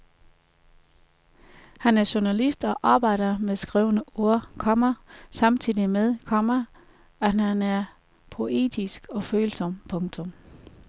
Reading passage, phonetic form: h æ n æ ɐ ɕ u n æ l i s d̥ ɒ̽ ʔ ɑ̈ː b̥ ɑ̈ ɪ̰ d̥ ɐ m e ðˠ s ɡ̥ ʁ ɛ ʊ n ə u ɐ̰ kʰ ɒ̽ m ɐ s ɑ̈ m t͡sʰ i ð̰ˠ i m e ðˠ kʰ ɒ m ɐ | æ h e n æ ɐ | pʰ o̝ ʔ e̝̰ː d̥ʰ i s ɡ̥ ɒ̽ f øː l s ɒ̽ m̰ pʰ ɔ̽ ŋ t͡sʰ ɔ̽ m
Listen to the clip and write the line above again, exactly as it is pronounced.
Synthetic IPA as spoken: h æ n æ ɐ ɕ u n æ l i s d̥ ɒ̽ ʔ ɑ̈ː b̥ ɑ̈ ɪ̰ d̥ ɐ m e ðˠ s ɡ̥ ʁ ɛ ʊ n ə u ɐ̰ kʰ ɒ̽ m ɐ s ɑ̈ m t͡sʰ i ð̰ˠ i m e ðˠ kʰ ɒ m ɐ | æ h æ n æ ɐ | pʰ o̝ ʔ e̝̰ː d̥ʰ i s ɡ̥ ɒ̽ f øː l s ɒ̽ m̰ pʰ ɔ̽ ŋ t͡sʰ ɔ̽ m